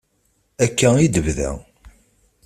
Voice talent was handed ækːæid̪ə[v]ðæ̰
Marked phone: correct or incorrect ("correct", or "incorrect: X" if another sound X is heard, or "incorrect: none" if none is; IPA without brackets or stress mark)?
correct